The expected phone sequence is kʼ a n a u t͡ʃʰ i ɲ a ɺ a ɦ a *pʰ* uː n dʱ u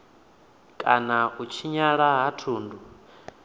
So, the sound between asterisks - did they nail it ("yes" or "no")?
no